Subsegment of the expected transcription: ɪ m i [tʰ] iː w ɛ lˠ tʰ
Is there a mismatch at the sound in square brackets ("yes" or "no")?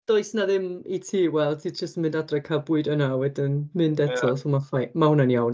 no